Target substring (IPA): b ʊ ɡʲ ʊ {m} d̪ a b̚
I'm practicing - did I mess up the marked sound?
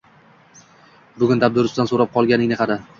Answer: yes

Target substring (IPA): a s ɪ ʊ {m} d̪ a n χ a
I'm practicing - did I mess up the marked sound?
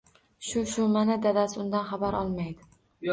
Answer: yes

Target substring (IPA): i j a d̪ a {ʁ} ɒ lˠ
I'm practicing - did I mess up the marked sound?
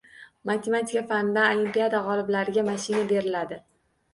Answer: no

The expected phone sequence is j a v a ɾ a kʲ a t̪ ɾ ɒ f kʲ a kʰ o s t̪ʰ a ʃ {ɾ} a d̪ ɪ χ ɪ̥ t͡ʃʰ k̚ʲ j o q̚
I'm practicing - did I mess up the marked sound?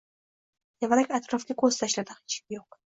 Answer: yes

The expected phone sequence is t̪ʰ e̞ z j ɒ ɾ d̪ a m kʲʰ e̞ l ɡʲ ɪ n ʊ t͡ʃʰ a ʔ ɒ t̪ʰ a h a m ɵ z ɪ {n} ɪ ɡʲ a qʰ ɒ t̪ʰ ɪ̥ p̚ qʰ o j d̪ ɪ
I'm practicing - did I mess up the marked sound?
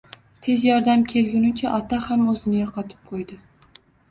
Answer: no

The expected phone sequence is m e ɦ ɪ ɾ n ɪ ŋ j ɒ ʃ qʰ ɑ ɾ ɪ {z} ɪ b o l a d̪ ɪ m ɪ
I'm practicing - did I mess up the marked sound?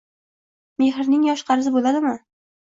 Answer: no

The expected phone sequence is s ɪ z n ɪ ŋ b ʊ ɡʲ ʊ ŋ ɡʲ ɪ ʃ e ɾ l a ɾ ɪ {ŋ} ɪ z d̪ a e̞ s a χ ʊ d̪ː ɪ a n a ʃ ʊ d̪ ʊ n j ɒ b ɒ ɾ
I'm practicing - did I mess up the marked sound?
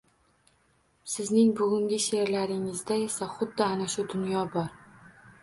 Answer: no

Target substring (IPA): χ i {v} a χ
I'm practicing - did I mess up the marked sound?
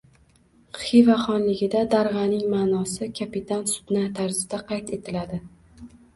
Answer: no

